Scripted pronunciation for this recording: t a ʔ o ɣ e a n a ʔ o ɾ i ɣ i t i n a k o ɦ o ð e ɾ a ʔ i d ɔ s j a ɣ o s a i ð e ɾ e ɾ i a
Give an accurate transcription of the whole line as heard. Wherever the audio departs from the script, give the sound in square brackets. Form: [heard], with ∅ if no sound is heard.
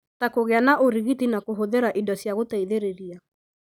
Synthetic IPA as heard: t a [k] o ɣ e a n a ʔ o ɾ i ɣ i t i n a k o ɦ o ð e ɾ a ʔ i d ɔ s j a ɣ o [t] a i ð e ɾ e ɾ i a